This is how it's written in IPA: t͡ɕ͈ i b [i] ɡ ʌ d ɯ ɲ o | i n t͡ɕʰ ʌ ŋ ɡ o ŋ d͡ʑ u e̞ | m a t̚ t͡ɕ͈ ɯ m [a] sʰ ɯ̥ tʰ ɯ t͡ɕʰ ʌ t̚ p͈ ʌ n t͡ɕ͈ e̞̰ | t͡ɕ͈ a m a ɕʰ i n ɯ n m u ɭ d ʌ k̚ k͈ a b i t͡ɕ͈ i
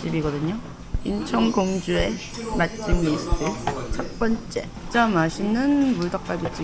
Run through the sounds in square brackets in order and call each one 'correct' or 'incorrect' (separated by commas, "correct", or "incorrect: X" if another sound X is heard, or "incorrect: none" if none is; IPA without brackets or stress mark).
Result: correct, incorrect: i